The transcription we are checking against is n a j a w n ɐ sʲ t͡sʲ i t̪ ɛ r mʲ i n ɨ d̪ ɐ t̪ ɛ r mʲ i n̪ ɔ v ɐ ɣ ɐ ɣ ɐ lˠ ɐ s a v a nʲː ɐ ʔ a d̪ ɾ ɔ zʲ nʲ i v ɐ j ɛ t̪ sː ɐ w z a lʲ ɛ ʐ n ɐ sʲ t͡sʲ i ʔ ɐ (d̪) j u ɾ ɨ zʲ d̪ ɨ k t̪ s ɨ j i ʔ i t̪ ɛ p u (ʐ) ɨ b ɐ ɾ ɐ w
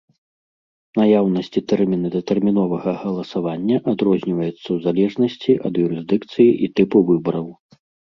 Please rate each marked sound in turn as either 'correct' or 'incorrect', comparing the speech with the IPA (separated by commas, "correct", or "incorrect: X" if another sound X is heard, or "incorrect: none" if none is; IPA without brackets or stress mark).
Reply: correct, incorrect: v